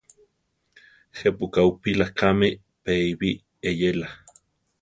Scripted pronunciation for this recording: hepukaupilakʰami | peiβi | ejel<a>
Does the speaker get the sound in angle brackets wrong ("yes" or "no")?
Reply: no